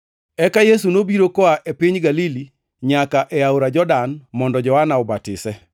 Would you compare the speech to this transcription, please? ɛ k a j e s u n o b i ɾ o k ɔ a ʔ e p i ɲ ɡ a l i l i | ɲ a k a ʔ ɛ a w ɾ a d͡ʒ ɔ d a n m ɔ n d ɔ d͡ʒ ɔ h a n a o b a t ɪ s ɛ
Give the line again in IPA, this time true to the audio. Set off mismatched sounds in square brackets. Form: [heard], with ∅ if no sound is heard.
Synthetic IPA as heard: ɛ k a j e s u n o b i ɾ o k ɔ a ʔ e p i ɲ ɡ a l i l i | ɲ a k a ʔ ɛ a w ɾ a d͡ʒ ɔ d a n m ɔ n d ɔ d͡ʒ ɔ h a n a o b a t ɪ s ɛ